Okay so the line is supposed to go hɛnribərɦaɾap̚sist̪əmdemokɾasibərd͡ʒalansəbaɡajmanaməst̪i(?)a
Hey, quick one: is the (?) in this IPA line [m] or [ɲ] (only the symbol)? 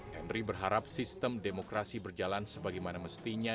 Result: ɲ